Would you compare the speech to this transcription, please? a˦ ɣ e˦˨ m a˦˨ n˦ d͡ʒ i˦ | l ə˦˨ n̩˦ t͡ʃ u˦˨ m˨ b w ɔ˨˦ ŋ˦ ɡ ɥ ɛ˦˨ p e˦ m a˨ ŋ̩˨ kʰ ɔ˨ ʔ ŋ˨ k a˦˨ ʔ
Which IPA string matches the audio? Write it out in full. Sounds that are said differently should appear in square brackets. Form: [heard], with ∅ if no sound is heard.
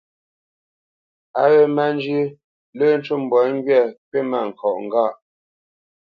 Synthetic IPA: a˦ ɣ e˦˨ m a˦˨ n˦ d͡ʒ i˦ | l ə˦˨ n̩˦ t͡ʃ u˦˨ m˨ b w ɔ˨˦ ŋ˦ ɡ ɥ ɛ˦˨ p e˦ m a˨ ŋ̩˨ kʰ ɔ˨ ʔ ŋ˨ [ɡ] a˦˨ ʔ